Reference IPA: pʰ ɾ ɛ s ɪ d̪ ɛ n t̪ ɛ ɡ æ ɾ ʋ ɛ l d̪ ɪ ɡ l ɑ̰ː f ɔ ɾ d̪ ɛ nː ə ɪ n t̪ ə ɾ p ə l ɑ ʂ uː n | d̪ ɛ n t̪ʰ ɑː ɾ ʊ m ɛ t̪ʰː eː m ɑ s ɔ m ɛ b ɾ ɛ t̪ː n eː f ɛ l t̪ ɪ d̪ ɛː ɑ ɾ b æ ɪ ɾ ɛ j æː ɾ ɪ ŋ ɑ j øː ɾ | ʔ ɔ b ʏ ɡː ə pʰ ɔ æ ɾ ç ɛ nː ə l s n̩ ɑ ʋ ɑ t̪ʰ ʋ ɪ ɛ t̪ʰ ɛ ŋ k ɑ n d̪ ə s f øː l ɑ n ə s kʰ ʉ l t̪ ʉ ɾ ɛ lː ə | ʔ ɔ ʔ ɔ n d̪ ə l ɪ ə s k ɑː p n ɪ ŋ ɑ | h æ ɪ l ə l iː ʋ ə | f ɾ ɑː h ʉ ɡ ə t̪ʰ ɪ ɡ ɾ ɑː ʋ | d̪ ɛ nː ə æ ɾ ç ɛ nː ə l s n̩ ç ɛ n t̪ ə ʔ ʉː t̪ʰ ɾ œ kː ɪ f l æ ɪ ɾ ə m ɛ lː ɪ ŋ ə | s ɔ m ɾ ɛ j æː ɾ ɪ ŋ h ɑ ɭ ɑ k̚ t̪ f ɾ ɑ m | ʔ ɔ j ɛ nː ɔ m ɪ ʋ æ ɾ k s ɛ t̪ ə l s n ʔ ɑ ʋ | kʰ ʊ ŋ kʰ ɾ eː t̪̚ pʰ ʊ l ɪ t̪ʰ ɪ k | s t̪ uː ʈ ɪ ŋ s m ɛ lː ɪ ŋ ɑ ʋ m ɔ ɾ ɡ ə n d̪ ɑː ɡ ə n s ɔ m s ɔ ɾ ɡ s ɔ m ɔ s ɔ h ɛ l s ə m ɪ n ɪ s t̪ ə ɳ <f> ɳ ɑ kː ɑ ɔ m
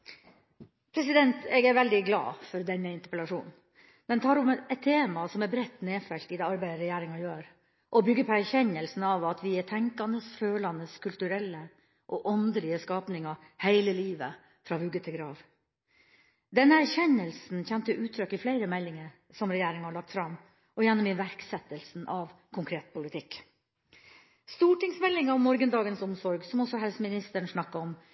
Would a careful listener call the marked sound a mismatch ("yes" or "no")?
yes